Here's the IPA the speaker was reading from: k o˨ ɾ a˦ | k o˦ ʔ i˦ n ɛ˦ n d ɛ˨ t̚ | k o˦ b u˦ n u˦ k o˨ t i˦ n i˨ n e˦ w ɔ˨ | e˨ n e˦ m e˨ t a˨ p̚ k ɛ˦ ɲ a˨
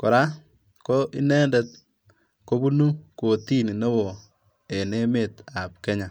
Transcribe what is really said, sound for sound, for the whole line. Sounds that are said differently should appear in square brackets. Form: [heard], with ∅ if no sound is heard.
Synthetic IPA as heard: k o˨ ɾ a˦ | k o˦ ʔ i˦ n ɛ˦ n d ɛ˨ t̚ | k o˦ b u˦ n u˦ k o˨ t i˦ n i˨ n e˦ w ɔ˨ | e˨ n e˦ m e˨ t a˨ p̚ k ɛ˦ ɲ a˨